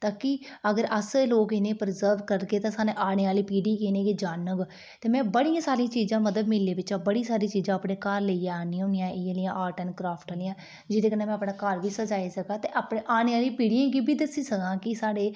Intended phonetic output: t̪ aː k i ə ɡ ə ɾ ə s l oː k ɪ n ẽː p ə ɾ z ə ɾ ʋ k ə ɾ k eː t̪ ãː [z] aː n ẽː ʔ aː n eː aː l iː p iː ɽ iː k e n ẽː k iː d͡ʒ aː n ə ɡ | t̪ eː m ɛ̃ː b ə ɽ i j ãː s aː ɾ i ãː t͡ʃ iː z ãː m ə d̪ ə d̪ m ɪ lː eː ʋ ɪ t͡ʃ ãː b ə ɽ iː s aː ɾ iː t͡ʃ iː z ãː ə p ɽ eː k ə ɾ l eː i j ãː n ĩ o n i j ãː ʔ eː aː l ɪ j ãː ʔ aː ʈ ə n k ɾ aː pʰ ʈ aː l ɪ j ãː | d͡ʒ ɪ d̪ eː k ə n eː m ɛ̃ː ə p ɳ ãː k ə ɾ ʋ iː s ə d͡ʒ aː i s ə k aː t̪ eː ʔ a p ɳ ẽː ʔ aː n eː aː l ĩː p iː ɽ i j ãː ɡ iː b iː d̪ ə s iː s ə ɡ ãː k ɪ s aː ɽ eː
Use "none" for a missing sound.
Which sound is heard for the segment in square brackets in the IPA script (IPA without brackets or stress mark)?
s